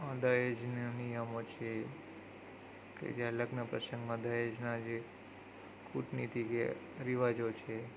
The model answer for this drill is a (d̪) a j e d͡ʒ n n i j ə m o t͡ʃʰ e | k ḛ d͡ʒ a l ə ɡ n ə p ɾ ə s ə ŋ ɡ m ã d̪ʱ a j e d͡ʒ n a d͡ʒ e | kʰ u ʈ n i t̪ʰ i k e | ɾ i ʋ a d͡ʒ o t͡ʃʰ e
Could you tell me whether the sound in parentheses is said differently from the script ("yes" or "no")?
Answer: no